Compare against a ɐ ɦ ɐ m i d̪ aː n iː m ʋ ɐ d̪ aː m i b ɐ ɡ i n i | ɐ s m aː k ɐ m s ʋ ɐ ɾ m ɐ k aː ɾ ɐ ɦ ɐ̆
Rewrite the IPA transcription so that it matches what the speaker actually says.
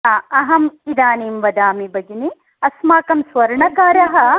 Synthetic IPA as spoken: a ɐ ɦ ɐ m i d̪ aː n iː m ʋ ɐ d̪ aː m i b ɐ ɡ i n i | ɐ s m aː k ɐ m s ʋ ɐ ɾ ɳ ɐ k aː ɾ ɐ ɦ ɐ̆